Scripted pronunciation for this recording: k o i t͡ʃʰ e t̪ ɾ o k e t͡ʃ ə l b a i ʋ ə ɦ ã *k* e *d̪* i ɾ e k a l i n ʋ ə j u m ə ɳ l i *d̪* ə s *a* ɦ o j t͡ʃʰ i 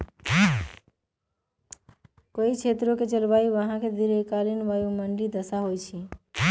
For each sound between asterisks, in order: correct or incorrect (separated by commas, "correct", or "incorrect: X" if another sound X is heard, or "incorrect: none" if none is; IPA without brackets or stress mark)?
correct, correct, correct, correct